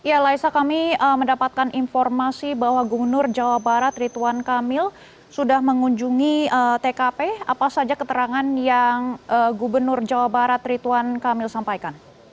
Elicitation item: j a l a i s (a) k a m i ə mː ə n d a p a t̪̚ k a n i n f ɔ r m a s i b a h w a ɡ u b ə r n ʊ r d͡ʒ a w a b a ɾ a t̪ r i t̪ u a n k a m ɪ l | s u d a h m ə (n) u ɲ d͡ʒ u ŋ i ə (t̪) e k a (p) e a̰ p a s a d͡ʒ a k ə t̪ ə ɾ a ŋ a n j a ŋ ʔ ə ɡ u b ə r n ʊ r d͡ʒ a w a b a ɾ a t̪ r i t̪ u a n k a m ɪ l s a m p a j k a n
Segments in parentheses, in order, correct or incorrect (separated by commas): correct, incorrect, correct, correct